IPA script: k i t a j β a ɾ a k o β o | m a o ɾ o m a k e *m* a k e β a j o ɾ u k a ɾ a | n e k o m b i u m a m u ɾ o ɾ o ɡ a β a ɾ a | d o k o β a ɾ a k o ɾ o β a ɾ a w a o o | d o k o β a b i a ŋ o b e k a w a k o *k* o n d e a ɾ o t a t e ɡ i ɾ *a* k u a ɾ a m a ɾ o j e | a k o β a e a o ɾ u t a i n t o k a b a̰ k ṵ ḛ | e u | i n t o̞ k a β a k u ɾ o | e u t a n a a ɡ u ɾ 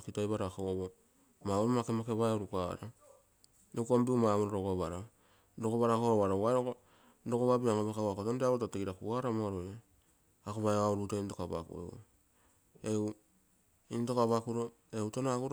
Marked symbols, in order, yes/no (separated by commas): yes, no, yes